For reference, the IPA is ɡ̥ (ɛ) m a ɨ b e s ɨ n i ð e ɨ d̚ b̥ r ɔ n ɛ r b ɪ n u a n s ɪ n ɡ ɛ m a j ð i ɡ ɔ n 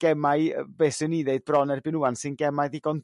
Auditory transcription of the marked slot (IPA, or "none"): ɛ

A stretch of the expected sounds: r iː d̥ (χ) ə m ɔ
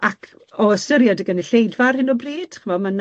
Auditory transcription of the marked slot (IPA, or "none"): χ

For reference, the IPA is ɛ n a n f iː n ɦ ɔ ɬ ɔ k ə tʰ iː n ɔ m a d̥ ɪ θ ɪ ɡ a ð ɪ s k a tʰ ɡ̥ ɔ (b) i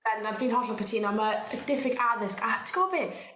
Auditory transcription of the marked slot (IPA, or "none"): b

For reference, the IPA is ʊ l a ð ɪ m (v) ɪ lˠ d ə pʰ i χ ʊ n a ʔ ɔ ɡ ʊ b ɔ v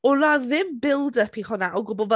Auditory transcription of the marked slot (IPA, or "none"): b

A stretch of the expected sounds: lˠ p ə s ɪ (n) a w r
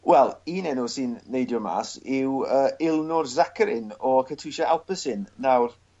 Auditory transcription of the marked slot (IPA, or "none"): nː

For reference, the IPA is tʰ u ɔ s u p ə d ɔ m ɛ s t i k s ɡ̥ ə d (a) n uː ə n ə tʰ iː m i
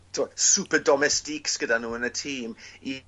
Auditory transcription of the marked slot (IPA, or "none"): a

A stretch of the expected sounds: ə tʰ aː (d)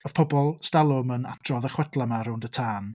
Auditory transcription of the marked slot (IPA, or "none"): n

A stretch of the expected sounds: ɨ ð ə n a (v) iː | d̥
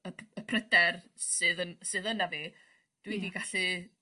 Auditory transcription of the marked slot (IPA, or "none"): v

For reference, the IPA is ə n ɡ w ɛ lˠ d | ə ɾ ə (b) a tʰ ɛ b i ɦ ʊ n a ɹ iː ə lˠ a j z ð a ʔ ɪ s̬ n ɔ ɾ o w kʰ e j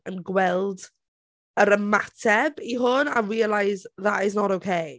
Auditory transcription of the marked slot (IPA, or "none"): m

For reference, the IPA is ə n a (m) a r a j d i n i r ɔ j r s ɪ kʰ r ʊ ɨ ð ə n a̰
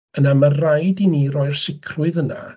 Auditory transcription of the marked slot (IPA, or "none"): m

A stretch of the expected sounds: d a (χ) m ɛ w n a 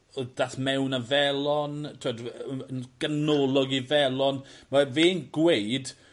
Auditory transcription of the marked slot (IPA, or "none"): θ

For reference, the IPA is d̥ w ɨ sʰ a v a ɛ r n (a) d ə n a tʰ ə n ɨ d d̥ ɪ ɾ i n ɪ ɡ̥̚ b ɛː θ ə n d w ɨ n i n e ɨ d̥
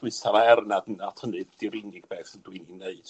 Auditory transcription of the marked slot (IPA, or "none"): a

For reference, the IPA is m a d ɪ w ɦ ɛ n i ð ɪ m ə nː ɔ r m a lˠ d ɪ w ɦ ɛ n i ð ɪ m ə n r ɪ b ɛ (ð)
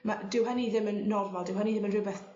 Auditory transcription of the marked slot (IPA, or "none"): θ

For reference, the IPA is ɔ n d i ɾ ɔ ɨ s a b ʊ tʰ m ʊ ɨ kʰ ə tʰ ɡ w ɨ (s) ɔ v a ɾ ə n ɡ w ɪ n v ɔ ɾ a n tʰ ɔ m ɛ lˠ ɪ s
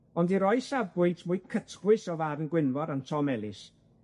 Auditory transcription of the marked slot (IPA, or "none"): s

